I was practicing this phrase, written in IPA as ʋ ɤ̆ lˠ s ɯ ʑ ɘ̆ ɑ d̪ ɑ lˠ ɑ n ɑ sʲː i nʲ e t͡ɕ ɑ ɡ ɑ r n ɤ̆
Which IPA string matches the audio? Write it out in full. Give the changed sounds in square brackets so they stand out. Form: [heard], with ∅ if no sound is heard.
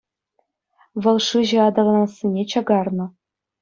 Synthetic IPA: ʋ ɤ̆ lˠ [ʂ] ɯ ʑ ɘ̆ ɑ d̪ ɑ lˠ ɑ n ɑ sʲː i nʲ e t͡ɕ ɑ ɡ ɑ r n ɤ̆